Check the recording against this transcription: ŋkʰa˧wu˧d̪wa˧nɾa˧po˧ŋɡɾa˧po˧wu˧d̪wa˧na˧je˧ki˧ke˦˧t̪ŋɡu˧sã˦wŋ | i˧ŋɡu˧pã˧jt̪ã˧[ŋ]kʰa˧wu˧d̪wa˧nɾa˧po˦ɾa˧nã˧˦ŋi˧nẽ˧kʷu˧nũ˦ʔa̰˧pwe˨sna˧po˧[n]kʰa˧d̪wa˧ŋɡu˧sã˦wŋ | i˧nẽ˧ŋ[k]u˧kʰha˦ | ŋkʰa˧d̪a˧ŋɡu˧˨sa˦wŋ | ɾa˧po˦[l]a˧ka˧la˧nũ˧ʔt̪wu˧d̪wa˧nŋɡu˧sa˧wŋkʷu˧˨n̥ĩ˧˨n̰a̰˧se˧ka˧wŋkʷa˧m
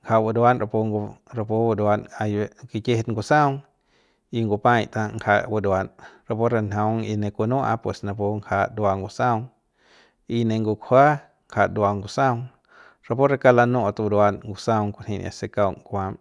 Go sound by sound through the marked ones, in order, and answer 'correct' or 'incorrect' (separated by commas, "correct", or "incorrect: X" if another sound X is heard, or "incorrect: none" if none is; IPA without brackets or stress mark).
correct, incorrect: ŋ, incorrect: ɡ, incorrect: ɾ